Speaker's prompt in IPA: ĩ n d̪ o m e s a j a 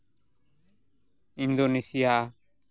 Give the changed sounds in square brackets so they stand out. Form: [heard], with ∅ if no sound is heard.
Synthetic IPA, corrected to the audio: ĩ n d̪ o [n] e s [i] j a